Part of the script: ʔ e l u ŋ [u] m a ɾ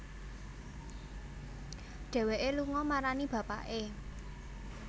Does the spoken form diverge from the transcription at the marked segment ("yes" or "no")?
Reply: yes